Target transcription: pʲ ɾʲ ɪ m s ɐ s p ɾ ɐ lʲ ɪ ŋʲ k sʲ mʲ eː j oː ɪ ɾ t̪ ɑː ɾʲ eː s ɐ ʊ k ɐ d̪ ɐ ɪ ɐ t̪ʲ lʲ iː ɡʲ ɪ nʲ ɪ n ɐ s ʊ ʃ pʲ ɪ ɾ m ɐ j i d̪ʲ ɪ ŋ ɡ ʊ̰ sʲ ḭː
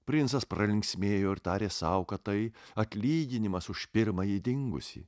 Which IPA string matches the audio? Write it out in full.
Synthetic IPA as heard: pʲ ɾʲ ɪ n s ɐ s p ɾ ɐ lʲ ɪ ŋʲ k sʲ mʲ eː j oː ɪ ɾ t̪ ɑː ɾʲ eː s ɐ ʊ k ɐ t̪ ɐ ɪ ɐ t̪ʲ lʲ iː ɡʲ ɪ nʲ ɪ m ɐ s ʊ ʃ pʲ ɪ ɾ m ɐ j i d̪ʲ ɪ ŋ ɡ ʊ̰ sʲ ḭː